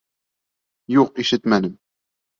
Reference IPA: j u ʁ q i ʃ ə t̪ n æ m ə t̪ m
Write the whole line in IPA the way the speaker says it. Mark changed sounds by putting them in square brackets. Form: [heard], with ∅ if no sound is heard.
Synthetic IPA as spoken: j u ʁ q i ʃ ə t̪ [m] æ [n] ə [∅] m